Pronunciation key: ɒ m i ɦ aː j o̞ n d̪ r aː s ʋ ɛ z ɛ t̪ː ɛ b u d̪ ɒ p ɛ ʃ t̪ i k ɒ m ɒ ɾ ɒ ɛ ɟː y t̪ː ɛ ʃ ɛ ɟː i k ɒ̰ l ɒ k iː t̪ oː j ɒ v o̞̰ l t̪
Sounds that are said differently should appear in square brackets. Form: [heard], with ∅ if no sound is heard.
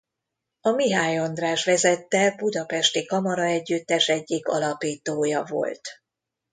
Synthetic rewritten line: ɒ m i ɦ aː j o̞ n d̪ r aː [ʃ] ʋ ɛ z ɛ t̪ː ɛ b u d̪ ɒ p ɛ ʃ t̪ i k ɒ m ɒ ɾ ɒ ɛ ɟː y t̪ː ɛ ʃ ɛ ɟː i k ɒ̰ l ɒ [p] iː t̪ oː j ɒ v o̞̰ l t̪